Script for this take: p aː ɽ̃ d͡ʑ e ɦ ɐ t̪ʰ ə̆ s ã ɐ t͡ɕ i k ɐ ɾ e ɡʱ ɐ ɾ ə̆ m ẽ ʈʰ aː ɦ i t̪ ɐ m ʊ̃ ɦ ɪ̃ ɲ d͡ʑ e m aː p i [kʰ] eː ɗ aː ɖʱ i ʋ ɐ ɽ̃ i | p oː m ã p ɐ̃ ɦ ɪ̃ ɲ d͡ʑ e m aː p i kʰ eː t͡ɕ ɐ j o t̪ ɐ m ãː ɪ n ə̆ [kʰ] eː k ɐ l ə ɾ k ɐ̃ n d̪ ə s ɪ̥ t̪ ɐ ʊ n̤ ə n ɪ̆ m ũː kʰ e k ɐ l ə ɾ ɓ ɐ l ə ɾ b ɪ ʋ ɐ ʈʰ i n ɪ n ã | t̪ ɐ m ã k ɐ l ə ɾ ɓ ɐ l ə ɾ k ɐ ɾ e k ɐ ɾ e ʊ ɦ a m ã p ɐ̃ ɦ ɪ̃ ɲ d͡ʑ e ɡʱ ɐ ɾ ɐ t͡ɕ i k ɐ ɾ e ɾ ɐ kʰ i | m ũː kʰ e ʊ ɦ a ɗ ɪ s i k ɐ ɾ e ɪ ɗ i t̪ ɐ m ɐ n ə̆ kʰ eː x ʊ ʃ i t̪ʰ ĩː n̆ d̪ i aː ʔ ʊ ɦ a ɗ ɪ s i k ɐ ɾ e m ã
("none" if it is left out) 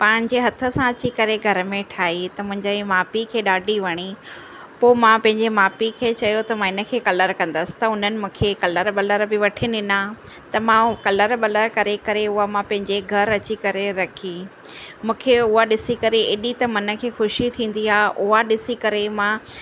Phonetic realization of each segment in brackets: kʰ, kʰ

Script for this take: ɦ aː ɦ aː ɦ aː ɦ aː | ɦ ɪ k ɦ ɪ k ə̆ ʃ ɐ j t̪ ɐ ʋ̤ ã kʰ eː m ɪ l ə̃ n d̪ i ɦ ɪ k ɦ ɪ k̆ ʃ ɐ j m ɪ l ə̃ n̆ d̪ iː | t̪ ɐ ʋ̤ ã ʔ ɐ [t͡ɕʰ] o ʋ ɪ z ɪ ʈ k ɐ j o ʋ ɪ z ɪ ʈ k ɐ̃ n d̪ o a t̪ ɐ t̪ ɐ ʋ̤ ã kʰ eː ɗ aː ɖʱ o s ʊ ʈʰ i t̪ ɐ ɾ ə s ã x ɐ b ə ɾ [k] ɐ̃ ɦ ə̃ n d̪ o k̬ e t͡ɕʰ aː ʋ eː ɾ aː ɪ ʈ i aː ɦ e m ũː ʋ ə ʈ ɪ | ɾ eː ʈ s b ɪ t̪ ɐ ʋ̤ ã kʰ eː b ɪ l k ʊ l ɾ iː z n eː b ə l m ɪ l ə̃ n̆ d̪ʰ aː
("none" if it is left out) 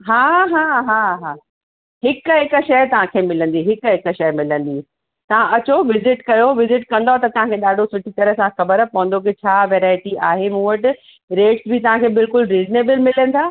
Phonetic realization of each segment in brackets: t͡ɕ, p

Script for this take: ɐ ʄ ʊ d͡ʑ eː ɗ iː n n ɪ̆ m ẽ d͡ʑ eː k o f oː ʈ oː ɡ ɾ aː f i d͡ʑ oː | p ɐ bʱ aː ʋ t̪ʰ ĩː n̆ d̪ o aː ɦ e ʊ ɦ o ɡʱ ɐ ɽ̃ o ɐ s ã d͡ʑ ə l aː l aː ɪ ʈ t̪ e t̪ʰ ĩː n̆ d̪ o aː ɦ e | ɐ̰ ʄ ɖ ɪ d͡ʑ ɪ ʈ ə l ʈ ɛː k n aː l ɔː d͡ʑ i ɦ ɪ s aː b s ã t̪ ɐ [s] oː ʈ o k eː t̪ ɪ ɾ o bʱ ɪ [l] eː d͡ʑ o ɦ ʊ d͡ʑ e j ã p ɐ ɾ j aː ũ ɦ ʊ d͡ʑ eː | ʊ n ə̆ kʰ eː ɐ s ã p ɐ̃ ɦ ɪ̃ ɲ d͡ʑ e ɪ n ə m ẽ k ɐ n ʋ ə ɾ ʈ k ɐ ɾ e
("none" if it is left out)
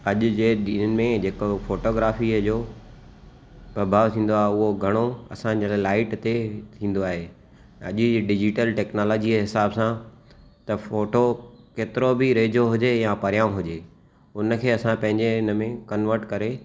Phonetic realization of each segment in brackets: f, ɾ

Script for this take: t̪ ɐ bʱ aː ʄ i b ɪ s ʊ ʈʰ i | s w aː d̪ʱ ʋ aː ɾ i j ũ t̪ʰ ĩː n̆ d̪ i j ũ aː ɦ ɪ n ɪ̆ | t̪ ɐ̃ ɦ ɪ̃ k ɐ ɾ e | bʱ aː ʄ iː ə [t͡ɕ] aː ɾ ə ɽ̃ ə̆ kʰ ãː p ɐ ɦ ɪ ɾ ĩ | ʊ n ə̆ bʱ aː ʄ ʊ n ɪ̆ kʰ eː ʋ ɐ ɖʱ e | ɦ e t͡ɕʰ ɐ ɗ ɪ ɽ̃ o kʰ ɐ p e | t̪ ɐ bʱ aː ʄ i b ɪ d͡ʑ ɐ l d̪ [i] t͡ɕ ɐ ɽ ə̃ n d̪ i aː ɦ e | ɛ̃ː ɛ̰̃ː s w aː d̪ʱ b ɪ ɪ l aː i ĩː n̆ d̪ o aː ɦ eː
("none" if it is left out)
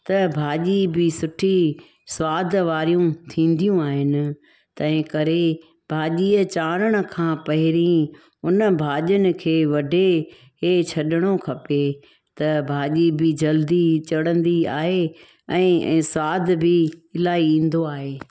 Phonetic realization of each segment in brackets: t͡ɕ, i

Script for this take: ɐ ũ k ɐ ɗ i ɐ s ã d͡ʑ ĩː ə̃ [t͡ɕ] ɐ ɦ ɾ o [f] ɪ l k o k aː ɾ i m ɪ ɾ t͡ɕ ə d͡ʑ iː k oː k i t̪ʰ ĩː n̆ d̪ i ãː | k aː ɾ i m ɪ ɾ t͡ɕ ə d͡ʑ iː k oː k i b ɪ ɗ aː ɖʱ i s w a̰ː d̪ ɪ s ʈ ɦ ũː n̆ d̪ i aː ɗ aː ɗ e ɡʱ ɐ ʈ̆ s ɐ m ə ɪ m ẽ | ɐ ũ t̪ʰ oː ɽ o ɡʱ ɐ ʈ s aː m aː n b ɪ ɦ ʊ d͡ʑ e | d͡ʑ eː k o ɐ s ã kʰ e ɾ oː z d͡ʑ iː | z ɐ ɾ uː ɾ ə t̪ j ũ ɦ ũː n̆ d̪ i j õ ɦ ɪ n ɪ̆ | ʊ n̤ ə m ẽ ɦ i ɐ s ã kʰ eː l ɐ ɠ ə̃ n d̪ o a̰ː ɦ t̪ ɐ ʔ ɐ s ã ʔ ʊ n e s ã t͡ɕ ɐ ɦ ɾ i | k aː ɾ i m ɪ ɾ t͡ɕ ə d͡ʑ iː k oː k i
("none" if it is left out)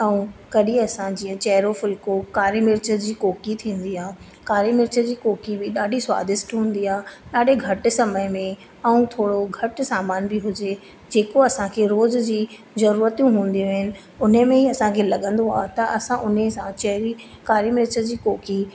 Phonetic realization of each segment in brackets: t͡ɕ, f

